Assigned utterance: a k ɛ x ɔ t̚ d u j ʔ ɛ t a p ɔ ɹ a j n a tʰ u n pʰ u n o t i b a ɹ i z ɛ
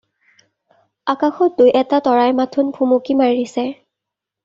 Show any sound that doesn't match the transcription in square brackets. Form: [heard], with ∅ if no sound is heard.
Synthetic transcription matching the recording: a k [a] x ɔ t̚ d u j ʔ ɛ t a [t] ɔ ɹ a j [m] a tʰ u n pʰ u [m] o [k] i [m] a ɹ i [s] ɛ